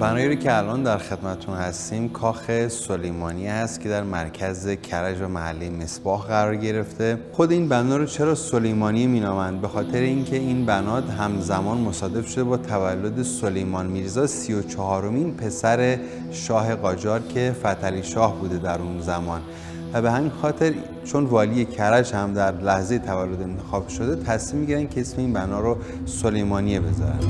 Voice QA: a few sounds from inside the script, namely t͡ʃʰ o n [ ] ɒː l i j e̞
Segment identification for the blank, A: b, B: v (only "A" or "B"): B